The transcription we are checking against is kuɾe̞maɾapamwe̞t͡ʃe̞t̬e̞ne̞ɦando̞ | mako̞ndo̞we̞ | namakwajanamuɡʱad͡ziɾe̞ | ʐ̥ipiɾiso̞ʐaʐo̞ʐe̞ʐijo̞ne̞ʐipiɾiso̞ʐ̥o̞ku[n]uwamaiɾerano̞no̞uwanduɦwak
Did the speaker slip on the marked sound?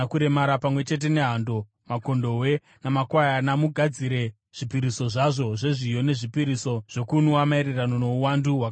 no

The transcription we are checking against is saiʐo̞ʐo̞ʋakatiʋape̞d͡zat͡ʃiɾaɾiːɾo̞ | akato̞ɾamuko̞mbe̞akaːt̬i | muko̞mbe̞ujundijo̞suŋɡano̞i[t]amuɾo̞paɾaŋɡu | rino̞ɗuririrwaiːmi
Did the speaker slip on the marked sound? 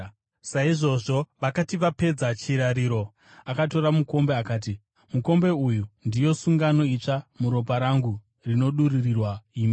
yes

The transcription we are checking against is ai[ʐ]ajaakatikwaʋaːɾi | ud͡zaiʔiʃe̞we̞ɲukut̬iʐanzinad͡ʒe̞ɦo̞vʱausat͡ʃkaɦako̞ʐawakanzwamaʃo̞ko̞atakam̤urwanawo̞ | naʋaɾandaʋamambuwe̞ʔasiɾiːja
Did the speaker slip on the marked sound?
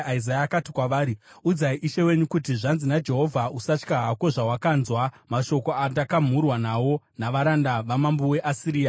yes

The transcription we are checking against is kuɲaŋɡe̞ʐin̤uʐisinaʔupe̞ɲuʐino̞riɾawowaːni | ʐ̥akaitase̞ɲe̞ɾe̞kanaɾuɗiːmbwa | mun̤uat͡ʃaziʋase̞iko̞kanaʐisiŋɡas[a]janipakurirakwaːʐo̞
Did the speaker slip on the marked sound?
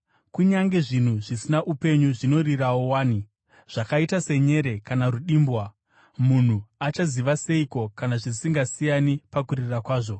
yes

